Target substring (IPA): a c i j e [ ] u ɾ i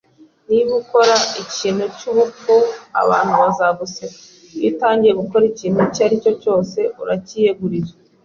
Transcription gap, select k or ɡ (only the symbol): ɡ